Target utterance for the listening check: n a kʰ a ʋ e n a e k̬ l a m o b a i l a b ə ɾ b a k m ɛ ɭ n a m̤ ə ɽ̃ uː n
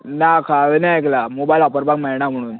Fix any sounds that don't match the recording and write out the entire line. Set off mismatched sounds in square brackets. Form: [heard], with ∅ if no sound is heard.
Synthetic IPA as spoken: n a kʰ a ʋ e n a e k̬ l a m o b a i l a [p] ə ɾ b a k m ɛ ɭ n a m̤ ə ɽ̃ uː n